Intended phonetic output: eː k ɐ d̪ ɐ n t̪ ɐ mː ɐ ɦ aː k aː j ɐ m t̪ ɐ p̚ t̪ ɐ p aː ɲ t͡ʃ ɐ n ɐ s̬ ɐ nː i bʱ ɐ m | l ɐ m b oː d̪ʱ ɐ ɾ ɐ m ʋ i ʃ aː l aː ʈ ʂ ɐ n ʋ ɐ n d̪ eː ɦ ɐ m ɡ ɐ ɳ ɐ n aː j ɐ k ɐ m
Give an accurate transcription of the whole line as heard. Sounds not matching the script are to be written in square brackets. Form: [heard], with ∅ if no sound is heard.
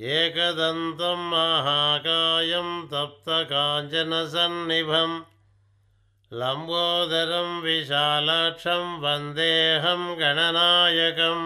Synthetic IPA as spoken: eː k ɐ d̪ ɐ n t̪ ɐ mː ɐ ɦ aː k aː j ɐ m t̪ ɐ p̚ t̪ ɐ [k] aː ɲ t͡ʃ ɐ n ɐ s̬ ɐ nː i bʱ ɐ m | l ɐ m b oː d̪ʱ ɐ ɾ ɐ m ʋ i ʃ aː l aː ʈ ʂ ɐ [m] ʋ ɐ n d̪ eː ɦ ɐ m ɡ ɐ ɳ ɐ n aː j ɐ k ɐ m